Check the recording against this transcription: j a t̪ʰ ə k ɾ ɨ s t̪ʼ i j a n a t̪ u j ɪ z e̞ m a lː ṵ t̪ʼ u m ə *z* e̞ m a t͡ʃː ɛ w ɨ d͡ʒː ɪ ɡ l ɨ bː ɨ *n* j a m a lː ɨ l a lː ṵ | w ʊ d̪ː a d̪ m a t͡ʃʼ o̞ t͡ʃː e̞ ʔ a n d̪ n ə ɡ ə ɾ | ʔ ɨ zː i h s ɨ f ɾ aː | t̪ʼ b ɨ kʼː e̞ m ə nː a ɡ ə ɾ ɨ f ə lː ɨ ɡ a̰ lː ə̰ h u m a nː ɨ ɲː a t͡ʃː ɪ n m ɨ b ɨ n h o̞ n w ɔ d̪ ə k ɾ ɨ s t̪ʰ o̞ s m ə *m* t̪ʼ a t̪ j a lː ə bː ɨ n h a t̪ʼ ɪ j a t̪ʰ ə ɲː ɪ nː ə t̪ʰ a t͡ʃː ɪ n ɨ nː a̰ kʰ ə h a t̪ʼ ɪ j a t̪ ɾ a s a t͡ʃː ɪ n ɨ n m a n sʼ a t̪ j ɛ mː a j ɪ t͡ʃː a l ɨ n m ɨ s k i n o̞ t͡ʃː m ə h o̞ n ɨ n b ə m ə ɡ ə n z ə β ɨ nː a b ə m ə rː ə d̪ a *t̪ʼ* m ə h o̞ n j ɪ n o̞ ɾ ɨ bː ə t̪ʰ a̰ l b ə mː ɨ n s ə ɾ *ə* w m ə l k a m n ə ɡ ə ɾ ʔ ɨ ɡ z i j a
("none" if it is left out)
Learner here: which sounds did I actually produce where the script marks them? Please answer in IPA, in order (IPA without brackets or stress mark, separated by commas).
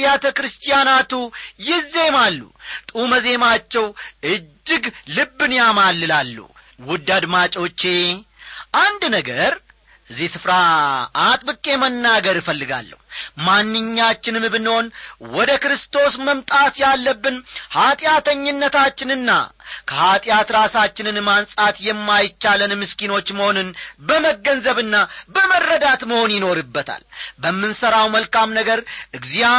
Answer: z, n, m, t̪, a